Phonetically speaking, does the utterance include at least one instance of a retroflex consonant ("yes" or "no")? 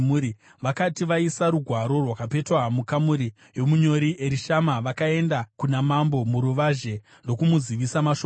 no